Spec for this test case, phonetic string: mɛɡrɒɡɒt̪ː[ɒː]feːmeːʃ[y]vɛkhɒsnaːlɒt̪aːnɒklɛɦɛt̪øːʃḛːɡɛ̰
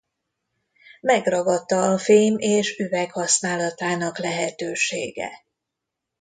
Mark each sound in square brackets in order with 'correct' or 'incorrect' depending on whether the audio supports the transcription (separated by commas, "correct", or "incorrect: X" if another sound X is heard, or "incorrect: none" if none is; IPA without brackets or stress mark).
correct, correct